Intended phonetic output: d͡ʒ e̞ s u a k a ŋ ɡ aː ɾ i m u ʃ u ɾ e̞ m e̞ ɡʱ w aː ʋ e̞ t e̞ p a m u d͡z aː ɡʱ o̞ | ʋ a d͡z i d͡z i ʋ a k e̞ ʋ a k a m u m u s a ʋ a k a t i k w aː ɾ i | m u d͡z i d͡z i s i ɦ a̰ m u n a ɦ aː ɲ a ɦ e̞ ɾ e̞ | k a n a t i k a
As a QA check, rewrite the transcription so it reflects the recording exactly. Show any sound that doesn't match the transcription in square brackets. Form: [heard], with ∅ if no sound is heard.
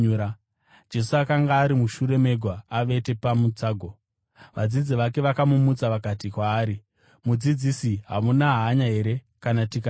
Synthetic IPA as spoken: d͡ʒ e̞ s u a k a ŋ ɡ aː ɾ i m u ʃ u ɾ e̞ m e̞ ɡʱ w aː ʋ e̞ t e̞ p a m u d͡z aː ɡʱ o̞ | ʋ a d͡z i d͡z i ʋ a k e̞ ʋ a k a m u m u [t͡s] a ʋ a k a t i k w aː ɾ i | m u d͡z i d͡z i s i ɦ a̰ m u n a ɦ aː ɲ a ɦ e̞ ɾ e̞ | k a n a t i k a